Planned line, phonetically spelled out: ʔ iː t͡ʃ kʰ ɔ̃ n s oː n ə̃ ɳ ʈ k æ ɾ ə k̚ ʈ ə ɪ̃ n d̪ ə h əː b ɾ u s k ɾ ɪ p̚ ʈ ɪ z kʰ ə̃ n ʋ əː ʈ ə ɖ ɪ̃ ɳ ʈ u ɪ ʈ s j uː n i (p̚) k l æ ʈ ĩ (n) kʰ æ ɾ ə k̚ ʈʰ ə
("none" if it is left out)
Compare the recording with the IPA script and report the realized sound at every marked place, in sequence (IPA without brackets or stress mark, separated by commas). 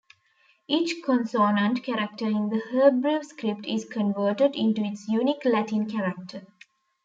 none, n